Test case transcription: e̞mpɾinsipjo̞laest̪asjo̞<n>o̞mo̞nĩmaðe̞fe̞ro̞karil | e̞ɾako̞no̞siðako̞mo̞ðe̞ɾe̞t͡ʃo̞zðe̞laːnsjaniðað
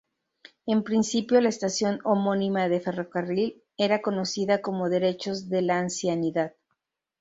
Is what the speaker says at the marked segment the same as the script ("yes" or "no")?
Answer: yes